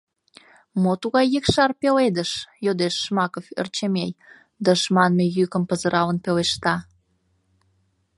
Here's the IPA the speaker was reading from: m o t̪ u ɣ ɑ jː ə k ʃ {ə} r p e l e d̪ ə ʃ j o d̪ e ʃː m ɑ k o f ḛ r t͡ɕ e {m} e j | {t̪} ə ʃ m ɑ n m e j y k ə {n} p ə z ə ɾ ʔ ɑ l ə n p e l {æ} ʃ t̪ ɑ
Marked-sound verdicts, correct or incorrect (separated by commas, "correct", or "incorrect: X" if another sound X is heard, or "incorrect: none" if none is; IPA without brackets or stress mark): incorrect: ɑ, correct, incorrect: d̪, incorrect: m, incorrect: e